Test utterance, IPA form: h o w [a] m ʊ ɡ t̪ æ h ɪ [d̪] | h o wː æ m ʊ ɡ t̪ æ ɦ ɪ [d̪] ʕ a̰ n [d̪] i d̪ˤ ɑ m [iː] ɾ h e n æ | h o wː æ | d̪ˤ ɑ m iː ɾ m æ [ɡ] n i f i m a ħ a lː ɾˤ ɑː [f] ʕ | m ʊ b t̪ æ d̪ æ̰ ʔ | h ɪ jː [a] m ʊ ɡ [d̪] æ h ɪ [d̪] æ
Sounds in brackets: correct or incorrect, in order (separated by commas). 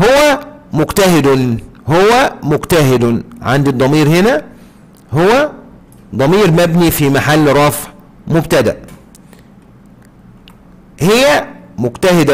incorrect, correct, correct, correct, correct, incorrect, correct, incorrect, incorrect, correct